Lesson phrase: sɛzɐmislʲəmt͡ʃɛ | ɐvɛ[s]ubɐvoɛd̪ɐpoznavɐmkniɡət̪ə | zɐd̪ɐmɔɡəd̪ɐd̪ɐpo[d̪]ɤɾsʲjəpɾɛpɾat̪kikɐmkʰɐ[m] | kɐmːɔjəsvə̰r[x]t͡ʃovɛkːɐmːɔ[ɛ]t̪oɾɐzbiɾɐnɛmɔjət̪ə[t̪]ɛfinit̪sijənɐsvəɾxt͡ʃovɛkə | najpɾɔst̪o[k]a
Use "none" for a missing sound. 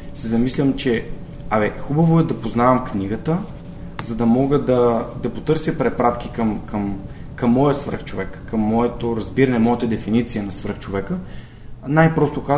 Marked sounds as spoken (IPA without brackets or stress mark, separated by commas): x, t̪, m, x, ɛ, d̪, k